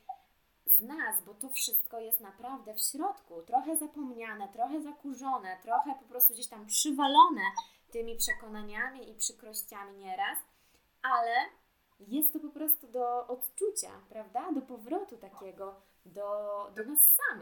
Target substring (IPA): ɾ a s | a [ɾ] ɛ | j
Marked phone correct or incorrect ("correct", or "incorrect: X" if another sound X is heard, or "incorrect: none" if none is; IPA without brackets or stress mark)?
incorrect: l